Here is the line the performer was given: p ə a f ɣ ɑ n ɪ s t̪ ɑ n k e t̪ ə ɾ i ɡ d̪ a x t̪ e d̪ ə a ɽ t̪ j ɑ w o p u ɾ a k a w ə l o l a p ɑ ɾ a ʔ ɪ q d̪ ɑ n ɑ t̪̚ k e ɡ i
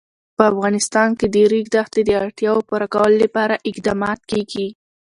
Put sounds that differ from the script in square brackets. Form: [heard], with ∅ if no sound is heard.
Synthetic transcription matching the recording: p ə a f ɣ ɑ n ɪ s t̪ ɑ n k e [d̪] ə ɾ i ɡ d̪ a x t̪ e d̪ ə a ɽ t̪ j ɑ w o p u ɾ a k a w ə l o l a p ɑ ɾ a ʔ ɪ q d̪ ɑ [m] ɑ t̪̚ k e ɡ i